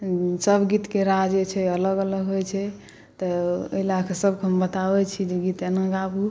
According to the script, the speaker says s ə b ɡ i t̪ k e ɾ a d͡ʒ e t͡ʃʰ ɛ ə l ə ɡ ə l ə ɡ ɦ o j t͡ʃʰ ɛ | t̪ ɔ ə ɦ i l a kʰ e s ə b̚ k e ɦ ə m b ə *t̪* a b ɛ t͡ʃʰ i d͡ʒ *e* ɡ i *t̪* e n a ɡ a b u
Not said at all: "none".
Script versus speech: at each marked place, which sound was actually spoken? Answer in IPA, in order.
t̪, e, t̪

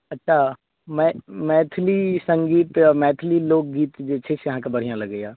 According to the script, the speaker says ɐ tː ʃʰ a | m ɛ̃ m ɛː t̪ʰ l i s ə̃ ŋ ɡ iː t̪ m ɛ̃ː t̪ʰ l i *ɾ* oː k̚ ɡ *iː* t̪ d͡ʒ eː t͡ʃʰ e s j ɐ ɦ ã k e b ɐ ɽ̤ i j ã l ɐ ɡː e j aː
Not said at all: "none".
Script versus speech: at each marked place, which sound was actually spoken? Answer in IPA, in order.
l, iː

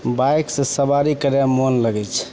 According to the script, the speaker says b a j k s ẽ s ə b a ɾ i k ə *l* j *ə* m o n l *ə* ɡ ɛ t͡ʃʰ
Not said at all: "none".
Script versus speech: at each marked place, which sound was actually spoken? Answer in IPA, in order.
ɾ, a, ə

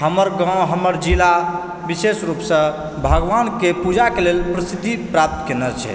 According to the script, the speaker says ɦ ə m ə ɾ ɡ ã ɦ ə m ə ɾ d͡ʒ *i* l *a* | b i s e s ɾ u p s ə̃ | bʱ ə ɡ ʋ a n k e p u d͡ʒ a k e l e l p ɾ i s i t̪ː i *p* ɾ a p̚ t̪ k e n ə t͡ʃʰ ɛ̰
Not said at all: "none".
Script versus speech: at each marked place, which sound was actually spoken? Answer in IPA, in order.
i, a, p

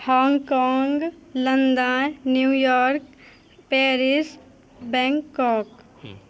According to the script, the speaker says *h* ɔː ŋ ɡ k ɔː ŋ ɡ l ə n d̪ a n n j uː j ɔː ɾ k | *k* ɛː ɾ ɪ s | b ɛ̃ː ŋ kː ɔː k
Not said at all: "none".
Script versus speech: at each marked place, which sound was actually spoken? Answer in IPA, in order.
h, p

